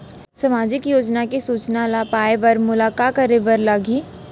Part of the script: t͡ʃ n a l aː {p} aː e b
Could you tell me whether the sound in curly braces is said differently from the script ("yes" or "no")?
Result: no